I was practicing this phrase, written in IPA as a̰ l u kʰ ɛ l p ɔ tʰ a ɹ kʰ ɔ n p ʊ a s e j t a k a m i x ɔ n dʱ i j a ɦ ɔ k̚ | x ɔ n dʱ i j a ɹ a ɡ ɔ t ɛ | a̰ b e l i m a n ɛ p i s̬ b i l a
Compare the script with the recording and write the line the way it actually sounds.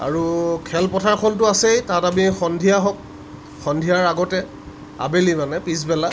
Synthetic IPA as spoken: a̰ ɹ u kʰ ɛ l p ɔ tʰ a ɹ kʰ ɔ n t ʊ a s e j t a t a m i x ɔ n dʱ i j a ɦ ɔ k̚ | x ɔ n dʱ i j a ɹ a ɡ ɔ t ɛ | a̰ b e l i m a n ɛ p i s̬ b ɛ l a